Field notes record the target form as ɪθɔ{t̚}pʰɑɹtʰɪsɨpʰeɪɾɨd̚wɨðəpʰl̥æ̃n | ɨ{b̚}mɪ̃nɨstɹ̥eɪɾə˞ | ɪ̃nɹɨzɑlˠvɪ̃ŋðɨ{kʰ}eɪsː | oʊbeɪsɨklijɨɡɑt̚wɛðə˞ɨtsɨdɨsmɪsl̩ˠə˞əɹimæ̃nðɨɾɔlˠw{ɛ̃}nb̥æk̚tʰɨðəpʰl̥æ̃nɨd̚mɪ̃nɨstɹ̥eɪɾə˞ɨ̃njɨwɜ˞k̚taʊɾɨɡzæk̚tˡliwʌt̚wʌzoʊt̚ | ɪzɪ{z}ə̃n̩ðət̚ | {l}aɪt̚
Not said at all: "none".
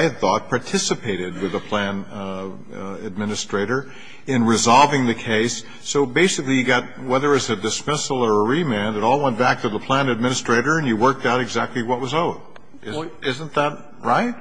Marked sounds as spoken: t̚, d̚, kʰ, ɛ̃, z, ɹ

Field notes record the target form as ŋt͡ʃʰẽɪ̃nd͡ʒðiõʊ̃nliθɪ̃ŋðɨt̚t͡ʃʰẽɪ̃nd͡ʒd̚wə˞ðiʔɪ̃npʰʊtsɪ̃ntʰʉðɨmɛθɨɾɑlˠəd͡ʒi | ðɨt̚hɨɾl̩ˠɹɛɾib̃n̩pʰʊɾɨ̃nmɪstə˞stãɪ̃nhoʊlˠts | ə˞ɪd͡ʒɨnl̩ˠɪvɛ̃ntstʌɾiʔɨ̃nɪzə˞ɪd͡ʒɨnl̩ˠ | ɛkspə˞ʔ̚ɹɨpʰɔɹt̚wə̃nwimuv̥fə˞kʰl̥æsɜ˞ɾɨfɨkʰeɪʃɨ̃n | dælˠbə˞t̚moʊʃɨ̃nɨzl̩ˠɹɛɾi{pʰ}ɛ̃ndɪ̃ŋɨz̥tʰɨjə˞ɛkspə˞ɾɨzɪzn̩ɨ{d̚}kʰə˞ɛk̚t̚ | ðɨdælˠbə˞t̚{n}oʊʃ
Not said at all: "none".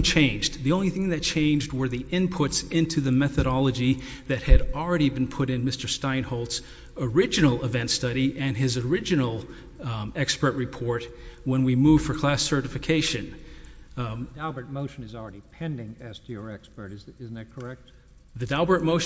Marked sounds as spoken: pʰ, t̚, m

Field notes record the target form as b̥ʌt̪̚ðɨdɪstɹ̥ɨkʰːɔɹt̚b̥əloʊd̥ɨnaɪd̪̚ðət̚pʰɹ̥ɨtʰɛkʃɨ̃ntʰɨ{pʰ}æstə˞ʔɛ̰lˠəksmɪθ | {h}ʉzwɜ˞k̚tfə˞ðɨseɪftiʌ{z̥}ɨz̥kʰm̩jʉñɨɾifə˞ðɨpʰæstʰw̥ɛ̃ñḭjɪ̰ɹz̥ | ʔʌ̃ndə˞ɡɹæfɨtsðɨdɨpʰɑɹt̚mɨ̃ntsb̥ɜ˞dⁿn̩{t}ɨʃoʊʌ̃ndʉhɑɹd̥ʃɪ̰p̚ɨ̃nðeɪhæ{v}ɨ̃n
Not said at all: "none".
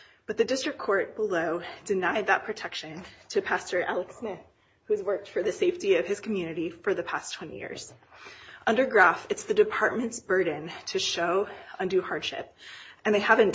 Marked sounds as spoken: pʰ, h, v̥, tʰ, v

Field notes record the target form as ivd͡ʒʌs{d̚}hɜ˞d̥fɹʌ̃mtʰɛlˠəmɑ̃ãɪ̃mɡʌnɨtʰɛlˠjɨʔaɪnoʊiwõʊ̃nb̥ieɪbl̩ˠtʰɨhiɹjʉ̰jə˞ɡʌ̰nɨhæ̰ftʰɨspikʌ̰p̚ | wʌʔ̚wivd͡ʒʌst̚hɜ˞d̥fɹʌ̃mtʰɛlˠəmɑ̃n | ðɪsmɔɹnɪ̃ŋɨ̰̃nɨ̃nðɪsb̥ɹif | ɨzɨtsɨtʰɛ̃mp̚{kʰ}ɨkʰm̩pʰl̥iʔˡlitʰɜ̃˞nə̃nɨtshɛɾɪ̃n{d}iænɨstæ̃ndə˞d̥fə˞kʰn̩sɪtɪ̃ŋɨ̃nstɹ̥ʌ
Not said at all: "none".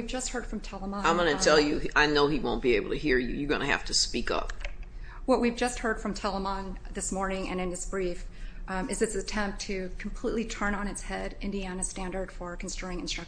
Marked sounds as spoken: t̚, tʰ, d

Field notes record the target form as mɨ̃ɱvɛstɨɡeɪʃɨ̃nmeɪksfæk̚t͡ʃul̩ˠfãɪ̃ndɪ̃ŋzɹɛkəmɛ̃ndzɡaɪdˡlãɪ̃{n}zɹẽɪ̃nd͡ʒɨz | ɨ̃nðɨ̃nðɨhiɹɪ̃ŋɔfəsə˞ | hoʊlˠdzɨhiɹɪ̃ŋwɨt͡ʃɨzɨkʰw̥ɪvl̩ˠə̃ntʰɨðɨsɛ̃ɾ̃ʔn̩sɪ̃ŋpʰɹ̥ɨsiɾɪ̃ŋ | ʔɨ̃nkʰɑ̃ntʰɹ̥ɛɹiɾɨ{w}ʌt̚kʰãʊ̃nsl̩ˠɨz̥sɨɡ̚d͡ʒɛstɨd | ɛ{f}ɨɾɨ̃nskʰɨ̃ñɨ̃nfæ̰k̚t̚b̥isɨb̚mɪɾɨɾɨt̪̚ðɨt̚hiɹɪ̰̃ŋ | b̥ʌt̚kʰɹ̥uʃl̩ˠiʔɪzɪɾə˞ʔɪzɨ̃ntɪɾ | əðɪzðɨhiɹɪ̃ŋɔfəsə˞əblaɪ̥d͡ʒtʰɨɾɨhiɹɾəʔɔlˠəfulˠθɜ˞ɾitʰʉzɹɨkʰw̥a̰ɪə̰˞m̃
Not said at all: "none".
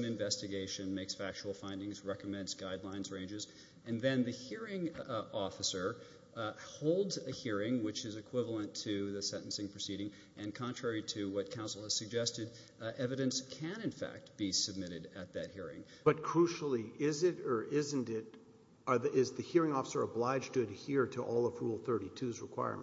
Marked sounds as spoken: n, w, v

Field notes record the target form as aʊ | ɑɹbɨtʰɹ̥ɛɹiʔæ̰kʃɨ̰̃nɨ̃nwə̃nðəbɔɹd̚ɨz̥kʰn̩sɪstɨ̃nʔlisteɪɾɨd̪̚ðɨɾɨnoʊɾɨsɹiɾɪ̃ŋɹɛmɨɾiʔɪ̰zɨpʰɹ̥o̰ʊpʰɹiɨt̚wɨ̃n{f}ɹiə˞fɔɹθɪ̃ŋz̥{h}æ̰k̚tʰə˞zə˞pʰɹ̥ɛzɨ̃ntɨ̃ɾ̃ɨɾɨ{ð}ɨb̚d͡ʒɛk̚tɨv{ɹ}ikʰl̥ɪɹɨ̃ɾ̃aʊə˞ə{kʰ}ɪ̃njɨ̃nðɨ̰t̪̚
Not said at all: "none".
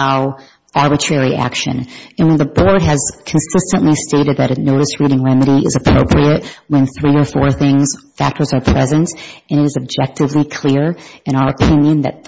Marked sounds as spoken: θ, f, z, l, pʰ

